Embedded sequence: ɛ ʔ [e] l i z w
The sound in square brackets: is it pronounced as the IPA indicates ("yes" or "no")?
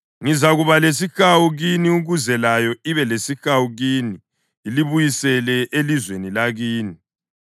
yes